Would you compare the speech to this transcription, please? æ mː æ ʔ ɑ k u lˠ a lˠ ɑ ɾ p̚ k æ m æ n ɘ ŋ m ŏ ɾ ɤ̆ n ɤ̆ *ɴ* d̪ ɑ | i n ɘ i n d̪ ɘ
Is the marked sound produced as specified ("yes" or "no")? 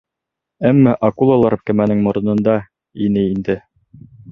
no